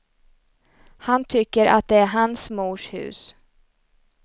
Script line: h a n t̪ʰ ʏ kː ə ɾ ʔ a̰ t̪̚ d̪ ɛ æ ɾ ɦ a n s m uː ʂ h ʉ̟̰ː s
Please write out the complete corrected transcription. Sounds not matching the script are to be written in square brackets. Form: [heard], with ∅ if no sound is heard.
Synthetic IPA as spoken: h a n t̪ʰ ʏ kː ə ɾ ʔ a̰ t̪̚ d̪ ɛ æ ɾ ɦ a n s m uː ʂ h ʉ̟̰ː s